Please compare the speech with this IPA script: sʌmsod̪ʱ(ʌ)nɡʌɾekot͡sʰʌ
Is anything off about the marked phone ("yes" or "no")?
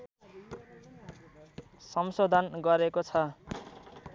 yes